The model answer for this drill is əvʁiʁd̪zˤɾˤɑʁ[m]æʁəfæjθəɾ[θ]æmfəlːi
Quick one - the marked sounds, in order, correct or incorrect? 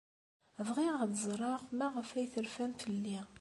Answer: correct, incorrect

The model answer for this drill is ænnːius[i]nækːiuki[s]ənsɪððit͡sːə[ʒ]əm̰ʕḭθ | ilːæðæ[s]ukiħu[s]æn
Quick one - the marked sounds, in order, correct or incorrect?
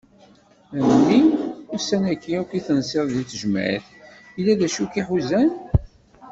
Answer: incorrect, incorrect, correct, incorrect, incorrect

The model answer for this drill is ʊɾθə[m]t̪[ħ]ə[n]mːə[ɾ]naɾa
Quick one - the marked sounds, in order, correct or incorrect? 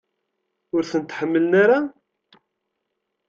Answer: incorrect, correct, incorrect, incorrect

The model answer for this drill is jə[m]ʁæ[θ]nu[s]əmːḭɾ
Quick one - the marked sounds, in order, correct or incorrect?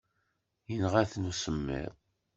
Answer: incorrect, correct, correct

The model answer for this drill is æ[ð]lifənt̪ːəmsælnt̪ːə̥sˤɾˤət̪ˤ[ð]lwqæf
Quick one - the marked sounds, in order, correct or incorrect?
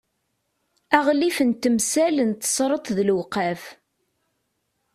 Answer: incorrect, correct

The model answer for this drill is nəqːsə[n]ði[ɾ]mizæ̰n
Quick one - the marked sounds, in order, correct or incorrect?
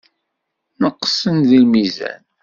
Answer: correct, incorrect

